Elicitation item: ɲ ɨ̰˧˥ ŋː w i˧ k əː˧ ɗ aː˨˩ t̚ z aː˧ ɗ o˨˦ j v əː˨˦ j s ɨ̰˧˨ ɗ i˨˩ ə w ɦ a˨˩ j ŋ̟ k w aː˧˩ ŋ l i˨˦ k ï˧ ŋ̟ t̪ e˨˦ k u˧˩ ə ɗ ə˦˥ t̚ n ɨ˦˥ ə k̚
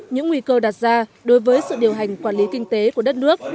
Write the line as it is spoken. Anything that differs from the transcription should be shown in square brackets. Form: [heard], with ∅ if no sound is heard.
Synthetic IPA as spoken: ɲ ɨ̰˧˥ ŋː w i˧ k əː˧ ɗ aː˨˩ t̚ z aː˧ ɗ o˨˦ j v əː˨˦ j s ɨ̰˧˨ ɗ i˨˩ ə w ɦ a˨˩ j ŋ̟ k w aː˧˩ [n] l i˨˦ k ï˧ ŋ̟ t̪ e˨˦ k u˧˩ ə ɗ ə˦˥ t̚ n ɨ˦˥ ə k̚

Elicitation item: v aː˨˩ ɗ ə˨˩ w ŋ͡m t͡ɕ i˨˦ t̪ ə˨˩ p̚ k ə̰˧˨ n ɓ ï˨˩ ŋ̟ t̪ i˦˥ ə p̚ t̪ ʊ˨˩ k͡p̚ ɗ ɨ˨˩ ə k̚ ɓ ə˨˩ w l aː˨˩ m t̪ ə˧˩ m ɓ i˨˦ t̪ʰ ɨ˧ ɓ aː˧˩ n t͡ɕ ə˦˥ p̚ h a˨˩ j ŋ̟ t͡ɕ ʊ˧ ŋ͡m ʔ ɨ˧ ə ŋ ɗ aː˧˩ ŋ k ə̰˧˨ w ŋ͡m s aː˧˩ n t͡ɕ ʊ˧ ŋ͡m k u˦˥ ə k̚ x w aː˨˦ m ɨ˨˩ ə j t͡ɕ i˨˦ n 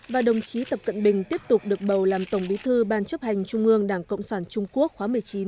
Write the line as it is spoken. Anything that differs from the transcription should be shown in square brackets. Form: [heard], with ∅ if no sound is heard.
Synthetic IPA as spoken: v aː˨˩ ɗ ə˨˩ w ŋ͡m t͡ɕ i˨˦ t̪ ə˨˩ p̚ k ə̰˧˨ n ɓ ï˨˩ ŋ̟ t̪ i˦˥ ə p̚ t̪ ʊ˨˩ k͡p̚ ɗ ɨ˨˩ ə k̚ ɓ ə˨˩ w l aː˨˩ m t̪ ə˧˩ [ŋ͡m] ɓ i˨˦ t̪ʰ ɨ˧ ɓ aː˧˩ n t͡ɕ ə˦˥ p̚ h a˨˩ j ŋ̟ t͡ɕ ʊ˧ ŋ͡m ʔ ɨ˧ ə ŋ ɗ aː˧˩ ŋ k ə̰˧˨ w ŋ͡m s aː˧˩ n t͡ɕ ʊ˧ ŋ͡m k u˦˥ ə k̚ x w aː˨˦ m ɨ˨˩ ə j t͡ɕ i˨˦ n

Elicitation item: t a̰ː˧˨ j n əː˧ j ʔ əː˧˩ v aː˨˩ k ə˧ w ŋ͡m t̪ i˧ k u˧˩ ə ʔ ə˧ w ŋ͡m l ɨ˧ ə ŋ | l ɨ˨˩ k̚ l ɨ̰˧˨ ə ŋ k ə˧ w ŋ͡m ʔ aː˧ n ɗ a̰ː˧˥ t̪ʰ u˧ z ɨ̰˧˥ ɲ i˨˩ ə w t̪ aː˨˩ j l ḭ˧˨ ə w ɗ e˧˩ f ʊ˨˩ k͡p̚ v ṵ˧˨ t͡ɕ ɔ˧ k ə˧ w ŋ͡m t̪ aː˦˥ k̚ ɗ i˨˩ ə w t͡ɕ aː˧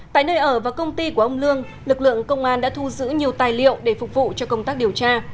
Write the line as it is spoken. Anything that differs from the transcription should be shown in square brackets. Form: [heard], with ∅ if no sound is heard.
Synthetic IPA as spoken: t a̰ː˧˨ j n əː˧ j ʔ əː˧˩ v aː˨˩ k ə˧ w ŋ͡m t̪ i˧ k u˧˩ ə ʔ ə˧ w ŋ͡m l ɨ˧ ə ŋ | l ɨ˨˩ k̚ l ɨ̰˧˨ ə ŋ k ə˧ w ŋ͡m ʔ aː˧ n ɗ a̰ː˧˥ t̪ʰ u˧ z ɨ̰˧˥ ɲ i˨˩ ə w t̪ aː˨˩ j l ḭ˧˨ ə w ɗ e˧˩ f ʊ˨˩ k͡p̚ v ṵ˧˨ t͡ɕ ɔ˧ k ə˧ w ŋ͡m t̪ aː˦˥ k̚ ɗ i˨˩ ə w t͡ɕ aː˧

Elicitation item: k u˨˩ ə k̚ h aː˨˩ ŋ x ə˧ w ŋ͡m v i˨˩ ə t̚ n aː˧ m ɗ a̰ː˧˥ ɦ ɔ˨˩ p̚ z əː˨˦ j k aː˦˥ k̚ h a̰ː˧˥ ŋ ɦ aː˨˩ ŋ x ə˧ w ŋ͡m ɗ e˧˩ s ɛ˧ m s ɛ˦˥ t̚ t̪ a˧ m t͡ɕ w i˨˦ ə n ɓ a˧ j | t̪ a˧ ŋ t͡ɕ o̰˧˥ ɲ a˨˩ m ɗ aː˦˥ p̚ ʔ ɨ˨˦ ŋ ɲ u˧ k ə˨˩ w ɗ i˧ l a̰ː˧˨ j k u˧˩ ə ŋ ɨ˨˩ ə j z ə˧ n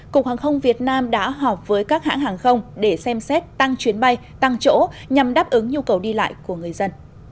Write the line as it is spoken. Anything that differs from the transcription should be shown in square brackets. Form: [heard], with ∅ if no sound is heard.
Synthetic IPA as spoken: k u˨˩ ə k̚ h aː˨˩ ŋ x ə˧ w ŋ͡m v i˨˩ ə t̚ n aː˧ m ɗ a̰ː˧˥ ɦ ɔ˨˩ p̚ [v] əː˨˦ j k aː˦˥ k̚ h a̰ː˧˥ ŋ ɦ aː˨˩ ŋ x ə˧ w ŋ͡m ɗ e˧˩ s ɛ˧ m s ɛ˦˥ t̚ t̪ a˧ [ŋ] t͡ɕ w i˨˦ ə n ɓ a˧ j | t̪ a˧ ŋ t͡ɕ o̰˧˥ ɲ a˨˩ m ɗ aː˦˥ p̚ ʔ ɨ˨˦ ŋ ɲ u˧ k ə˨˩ w ɗ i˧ l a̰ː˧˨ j k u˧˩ ə ŋ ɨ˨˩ ə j z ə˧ n

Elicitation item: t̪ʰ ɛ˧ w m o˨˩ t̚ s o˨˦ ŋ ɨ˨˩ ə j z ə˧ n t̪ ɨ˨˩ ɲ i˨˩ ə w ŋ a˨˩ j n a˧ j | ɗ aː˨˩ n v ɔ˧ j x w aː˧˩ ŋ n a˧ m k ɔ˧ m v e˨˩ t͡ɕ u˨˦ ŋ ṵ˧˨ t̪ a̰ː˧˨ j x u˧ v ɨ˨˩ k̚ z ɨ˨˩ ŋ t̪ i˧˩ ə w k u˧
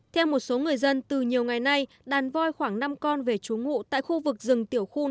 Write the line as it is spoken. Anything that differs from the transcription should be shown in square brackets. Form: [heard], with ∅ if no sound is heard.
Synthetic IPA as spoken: t̪ʰ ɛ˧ w m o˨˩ t̚ s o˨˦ ŋ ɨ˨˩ ə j z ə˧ n t̪ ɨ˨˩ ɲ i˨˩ ə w ŋ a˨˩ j n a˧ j | ɗ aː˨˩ n v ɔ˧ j x w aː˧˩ ŋ n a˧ m k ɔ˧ [n] v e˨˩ t͡ɕ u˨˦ ŋ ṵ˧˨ t̪ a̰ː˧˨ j x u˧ v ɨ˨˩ k̚ z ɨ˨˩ ŋ t̪ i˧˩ ə w [x] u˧

